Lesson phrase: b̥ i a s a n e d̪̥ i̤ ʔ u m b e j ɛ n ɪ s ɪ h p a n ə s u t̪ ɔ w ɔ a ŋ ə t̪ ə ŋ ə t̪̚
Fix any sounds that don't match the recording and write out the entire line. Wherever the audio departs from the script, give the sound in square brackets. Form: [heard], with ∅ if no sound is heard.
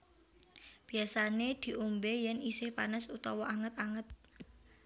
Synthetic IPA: b̥ i a s a n e d̪̥ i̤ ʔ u m b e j ɛ n [i] s ɪ h p a n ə s u t̪ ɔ w ɔ a ŋ ə t̪ [a] ŋ ə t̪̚